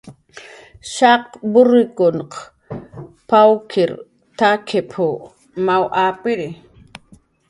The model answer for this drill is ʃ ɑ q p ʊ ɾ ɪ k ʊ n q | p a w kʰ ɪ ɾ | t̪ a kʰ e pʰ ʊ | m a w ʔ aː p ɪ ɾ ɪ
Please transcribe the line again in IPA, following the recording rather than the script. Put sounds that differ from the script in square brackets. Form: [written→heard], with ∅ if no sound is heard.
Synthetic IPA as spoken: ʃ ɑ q [p→b] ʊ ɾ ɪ k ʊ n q | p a w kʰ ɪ ɾ | t̪ a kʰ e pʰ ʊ | m a w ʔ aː p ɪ ɾ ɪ